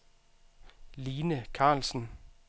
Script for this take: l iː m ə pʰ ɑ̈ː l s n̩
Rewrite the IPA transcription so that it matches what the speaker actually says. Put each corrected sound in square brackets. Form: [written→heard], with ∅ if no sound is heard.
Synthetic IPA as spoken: l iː [m→n] ə [pʰ→kʰ] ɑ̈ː l s n̩